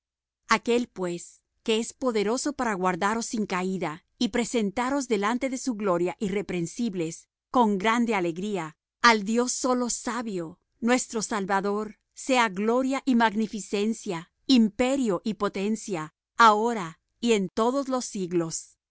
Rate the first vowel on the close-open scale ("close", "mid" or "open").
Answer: open